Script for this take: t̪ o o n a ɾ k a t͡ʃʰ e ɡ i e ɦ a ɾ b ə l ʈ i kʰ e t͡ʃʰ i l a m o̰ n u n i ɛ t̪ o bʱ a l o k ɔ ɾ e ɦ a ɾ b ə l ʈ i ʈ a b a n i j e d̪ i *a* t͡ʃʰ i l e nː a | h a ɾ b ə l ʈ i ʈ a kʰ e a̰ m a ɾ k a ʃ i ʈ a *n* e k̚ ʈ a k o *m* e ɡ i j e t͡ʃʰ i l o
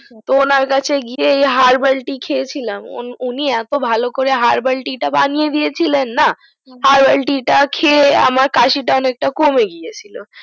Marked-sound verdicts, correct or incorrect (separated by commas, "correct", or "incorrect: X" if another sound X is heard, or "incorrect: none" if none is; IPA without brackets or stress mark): incorrect: e, correct, correct